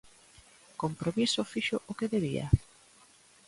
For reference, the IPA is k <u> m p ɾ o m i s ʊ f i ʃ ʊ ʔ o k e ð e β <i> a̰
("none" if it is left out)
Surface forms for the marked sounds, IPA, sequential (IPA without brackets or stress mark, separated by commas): o, i